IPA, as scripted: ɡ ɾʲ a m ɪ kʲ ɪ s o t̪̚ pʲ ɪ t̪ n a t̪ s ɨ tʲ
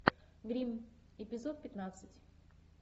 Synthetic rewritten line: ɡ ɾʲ i m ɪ pʲ ɪ z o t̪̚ pʲ ɪ t̪ n a t̪ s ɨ tʲ